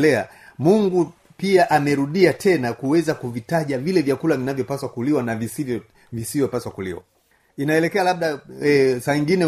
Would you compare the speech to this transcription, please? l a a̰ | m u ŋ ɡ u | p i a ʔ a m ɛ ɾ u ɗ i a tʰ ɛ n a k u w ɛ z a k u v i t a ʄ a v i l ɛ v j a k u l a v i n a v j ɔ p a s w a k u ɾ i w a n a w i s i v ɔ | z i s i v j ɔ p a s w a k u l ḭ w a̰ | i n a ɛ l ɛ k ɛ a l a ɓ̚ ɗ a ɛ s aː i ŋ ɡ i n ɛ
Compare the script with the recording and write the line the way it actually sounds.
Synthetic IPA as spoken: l ɛ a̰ | m u ŋ ɡ u | p i a ʔ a m ɛ ɾ u ɗ i a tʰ ɛ n a k u w ɛ z a k u v i t a ʄ a v i l ɛ v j a k u l a v i n a v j ɔ p a s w a k u l i w a n a v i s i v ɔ | v i s i v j ɔ p a s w a k u l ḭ w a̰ | i n a ɛ l ɛ k ɛ a l a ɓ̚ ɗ a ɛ s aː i ŋ ɡ i n ɛ